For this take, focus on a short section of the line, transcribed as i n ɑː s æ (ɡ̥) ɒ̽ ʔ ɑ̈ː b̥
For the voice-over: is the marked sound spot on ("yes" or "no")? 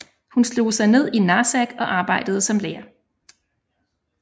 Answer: yes